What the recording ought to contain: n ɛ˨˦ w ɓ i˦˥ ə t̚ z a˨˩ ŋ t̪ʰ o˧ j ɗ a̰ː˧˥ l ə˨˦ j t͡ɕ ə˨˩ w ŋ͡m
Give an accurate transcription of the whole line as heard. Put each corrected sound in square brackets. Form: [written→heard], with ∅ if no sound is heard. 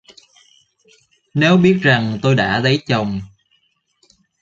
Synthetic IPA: n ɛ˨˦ w ɓ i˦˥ ə t̚ z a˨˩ ŋ [t̪ʰ→t̪] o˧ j ɗ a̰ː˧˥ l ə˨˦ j t͡ɕ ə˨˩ w ŋ͡m